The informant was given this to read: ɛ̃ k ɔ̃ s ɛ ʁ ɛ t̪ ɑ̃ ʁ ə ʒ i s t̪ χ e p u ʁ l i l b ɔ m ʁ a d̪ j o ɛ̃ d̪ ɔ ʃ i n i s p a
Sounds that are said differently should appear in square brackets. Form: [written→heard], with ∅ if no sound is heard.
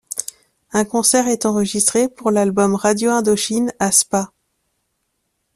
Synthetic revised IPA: ɛ̃ k ɔ̃ s ɛ ʁ ɛ t̪ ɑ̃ ʁ ə ʒ i s t̪ χ e p u ʁ l [i→a] l b ɔ m ʁ a d̪ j o ɛ̃ d̪ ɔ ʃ i n [i→a] s p a

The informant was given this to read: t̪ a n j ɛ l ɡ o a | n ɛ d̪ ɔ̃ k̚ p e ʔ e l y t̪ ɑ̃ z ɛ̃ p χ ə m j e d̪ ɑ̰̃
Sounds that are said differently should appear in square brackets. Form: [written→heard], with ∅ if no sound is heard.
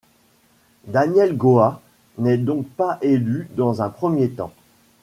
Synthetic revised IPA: [t̪→d̪] a n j ɛ l ɡ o a | n ɛ d̪ ɔ̃ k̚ p [e→a] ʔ e l y [t̪→d̪] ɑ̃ z ɛ̃ p χ ə m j e [d̪→t̪] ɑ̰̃

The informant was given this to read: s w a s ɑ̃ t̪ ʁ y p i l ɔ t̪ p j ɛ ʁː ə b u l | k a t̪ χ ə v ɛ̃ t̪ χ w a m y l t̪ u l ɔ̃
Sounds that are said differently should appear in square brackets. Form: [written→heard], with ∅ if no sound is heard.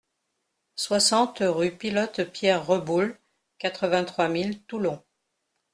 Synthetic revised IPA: s w a s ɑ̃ t̪ ʁ y p i l ɔ t̪ p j ɛ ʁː ə b u l | k a t̪ χ ə v ɛ̃ t̪ χ w a m [y→i] l t̪ u l ɔ̃

